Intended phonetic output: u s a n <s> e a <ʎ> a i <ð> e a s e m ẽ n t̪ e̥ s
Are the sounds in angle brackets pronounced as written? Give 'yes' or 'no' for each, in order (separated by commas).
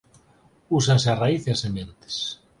yes, no, no